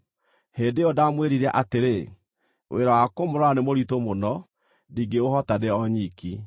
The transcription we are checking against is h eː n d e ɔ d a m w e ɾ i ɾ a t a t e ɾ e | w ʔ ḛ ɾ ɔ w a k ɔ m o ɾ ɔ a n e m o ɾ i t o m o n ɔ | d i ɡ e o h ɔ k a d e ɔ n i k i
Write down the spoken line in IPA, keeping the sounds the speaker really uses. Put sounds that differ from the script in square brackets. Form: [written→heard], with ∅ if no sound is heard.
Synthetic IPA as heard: h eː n d e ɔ d a m w e ɾ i ɾ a [t→ʔ] a t e ɾ e | w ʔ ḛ ɾ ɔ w a k [ɔ→o] m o ɾ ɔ a n e m o ɾ i t o m o n ɔ | d i ɡ e o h ɔ [k→t] a d e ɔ [n→ɲ] i k i